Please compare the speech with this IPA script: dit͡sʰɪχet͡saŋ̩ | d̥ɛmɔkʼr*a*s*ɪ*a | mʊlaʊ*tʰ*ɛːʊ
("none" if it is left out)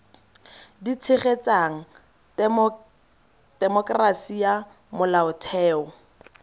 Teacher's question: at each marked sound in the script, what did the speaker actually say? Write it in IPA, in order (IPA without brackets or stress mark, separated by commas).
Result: a, i, tʰ